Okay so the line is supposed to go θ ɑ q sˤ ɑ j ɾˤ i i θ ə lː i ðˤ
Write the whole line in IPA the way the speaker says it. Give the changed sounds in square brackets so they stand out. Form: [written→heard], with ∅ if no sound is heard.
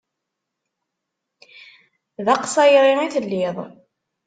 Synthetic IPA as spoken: [θ→ð] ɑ q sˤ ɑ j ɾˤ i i θ ə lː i ðˤ